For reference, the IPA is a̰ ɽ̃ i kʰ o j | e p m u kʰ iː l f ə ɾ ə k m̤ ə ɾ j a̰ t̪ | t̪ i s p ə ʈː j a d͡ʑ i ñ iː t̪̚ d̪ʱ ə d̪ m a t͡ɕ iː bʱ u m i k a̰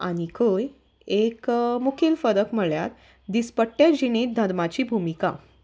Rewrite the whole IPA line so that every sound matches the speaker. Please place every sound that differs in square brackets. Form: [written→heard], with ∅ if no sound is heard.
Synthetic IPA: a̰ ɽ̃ i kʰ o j | e [p→k] m u kʰ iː l f ə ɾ ə k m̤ ə [ɾ→ɭ] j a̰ t̪ | [t̪→d̪] i s p ə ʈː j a d͡ʑ i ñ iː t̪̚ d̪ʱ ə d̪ m a t͡ɕ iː bʱ u m i k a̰